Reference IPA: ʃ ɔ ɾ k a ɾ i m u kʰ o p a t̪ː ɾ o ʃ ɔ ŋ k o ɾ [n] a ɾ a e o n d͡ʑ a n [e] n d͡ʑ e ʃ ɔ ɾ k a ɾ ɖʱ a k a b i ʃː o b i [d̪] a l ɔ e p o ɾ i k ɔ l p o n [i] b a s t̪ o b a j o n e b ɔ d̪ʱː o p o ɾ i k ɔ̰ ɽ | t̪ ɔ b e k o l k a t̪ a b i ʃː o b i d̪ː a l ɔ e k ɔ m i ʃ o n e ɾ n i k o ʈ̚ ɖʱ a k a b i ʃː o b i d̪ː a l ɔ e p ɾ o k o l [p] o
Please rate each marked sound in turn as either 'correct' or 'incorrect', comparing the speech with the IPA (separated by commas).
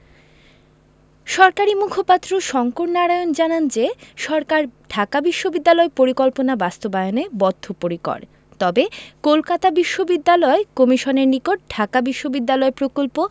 correct, incorrect, incorrect, incorrect, correct